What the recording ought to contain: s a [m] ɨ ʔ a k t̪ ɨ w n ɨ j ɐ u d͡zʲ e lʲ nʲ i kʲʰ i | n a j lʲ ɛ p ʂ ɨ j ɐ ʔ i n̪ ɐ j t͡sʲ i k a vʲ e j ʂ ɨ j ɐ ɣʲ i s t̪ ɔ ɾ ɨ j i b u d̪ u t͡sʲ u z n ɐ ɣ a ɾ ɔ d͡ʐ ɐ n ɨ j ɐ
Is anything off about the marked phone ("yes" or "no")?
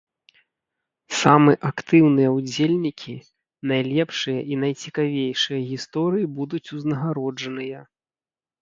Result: no